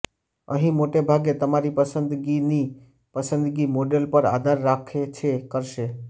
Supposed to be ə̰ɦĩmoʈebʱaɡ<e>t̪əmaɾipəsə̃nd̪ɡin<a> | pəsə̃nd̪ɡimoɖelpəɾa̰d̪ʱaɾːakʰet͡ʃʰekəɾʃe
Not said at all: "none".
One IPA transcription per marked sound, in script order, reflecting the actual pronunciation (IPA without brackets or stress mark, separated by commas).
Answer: e, i